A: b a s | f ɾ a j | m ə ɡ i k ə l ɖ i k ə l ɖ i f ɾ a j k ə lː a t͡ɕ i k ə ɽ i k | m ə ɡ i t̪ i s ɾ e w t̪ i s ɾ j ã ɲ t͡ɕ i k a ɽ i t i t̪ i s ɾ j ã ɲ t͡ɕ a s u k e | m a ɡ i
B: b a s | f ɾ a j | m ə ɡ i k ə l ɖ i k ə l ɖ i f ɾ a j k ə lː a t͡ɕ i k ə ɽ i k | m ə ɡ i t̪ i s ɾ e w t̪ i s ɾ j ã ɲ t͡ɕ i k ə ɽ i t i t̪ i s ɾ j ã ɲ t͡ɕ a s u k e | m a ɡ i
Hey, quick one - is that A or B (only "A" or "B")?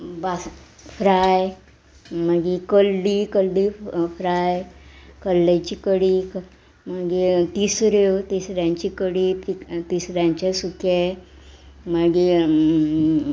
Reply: B